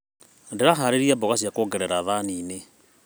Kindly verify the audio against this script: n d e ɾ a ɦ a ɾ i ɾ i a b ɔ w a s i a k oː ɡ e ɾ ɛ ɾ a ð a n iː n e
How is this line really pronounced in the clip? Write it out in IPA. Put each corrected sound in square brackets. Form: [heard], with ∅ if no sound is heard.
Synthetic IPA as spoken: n d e ɾ a ɦ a ɾ [e] ɾ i a b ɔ [ɣ] a s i a k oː ɡ [ɛ] ɾ ɛ ɾ a ð a n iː n e